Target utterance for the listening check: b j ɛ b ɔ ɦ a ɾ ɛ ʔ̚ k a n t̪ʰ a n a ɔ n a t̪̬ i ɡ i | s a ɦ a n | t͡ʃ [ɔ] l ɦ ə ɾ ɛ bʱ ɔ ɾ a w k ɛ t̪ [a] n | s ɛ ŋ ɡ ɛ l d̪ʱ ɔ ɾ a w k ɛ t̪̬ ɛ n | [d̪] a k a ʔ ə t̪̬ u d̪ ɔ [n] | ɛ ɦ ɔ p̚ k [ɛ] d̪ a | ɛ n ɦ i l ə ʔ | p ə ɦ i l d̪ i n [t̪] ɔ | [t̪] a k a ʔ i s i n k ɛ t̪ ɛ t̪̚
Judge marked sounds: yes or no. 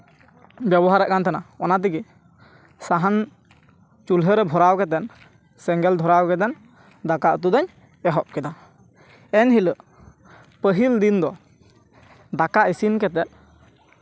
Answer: no, no, yes, no, yes, no, no

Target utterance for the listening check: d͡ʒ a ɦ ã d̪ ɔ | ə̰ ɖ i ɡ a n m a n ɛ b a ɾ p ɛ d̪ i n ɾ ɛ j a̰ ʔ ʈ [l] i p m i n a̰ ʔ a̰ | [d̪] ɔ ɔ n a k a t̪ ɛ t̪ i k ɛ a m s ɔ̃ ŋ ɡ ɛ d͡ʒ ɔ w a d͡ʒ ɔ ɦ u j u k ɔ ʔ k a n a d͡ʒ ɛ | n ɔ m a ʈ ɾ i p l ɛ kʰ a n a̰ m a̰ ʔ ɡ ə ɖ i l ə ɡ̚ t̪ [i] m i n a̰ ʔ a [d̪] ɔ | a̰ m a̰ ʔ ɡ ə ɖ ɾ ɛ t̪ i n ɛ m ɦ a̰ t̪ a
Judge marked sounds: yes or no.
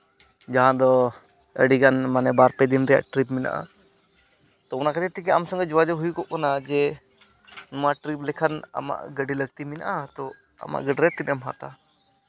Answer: no, no, yes, no

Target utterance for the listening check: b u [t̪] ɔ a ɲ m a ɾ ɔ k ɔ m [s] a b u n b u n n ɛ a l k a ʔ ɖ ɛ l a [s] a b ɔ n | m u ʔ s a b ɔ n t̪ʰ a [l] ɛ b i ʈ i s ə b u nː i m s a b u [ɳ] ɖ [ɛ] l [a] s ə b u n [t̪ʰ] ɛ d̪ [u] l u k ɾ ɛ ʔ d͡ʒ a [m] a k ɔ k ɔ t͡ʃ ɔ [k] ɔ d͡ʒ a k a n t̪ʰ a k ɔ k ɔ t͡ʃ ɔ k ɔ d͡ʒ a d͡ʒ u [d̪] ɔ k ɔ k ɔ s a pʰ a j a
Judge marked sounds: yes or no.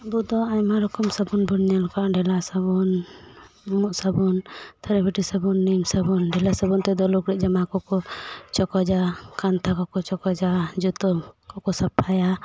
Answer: no, yes, yes, no, no, yes, yes, no, no, yes, yes, no

